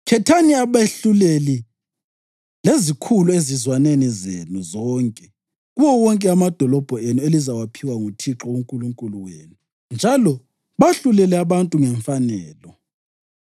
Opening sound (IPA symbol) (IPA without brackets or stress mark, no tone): kʰ